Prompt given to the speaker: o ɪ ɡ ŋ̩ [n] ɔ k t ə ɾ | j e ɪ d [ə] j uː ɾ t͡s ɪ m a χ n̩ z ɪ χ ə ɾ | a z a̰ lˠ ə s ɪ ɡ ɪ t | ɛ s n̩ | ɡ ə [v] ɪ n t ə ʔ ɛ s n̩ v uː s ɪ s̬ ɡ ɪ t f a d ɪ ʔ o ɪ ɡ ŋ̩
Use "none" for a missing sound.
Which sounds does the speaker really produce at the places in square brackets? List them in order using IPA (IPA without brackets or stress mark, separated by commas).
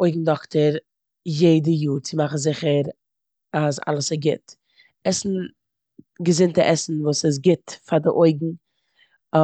d, ə, z